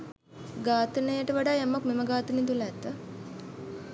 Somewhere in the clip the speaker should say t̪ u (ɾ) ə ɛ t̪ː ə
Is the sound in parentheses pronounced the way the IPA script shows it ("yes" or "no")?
no